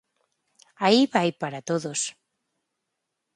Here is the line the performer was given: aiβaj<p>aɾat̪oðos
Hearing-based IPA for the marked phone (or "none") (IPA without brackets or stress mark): p